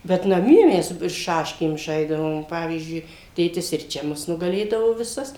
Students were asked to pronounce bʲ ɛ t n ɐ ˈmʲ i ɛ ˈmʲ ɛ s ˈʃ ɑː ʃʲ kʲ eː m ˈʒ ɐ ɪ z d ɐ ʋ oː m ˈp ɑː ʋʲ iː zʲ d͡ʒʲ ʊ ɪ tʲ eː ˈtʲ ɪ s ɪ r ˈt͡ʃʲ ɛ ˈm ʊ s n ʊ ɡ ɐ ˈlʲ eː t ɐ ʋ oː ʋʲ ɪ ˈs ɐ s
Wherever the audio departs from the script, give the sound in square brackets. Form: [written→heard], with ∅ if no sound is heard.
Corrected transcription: bʲ ɛ t n ɐ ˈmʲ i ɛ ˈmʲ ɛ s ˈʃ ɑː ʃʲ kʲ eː m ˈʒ ɐ ɪ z d ɐ ʋ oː m ˈp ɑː ʋʲ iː zʲ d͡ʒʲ ʊ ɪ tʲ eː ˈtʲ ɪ s ɪ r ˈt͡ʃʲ ɛ ˈm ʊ s n ʊ ɡ ɐ ˈlʲ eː [t→d] ɐ ʋ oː ʋʲ ɪ ˈs ɐ s